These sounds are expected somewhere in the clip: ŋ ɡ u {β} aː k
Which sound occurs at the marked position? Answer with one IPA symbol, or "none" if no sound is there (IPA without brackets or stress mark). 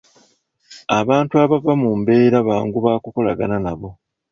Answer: β